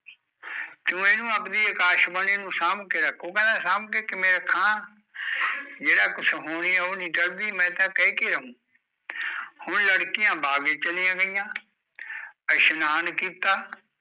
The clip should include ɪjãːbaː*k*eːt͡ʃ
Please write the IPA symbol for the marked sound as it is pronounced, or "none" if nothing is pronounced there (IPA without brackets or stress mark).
ɡ